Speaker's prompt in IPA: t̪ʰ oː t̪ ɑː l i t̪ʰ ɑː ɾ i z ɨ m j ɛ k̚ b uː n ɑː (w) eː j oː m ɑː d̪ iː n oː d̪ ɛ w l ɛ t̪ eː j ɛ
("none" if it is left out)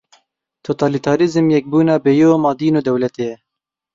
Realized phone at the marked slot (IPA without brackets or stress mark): b